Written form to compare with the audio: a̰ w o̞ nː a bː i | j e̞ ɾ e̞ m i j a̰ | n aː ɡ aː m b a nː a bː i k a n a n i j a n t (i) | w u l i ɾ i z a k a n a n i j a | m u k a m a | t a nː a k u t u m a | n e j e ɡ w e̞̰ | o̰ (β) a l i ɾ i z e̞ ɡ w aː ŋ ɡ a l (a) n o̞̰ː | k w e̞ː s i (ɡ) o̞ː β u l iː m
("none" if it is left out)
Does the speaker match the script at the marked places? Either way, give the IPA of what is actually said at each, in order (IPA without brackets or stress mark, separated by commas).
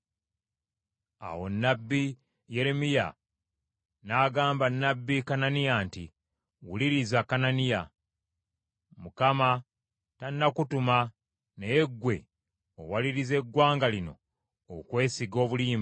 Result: i, w, i, ɡ